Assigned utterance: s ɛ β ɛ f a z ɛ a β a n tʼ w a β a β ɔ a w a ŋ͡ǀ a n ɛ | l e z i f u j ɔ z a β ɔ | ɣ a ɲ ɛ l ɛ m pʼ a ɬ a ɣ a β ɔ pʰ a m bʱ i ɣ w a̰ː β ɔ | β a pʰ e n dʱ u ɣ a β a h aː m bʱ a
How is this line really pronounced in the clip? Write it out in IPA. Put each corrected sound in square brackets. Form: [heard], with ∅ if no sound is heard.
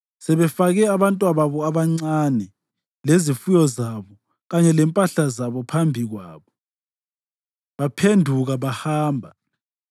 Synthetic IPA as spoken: s ɛ β ɛ f a [ɣ] ɛ a β a n tʼ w a β a β ɔ a [β] a ŋ͡ǀ a n ɛ | l e z i f u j ɔ z a β ɔ | ɣ a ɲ ɛ l ɛ m pʼ a ɬ a [z] a β ɔ pʰ a m bʱ i ɣ w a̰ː β ɔ | β a pʰ e n dʱ u ɣ a β a h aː m bʱ a